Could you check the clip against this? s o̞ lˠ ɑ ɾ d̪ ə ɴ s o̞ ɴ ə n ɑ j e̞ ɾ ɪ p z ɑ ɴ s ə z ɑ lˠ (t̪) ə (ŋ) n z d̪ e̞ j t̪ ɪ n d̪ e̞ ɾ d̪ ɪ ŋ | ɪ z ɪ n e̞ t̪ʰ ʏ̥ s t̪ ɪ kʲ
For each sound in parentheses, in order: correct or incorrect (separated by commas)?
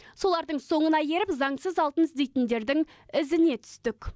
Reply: correct, incorrect